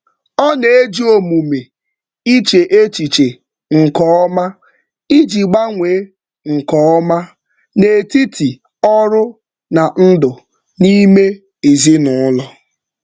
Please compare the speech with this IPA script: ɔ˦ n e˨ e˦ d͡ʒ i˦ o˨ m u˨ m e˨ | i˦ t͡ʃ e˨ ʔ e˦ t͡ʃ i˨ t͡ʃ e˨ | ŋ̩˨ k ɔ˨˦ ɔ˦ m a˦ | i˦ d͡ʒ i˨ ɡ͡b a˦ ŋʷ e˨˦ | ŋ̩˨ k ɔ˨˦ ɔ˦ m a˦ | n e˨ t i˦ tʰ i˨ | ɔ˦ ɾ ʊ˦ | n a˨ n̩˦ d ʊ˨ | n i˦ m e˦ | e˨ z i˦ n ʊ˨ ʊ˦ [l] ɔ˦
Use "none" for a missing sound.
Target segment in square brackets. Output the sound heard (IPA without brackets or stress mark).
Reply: l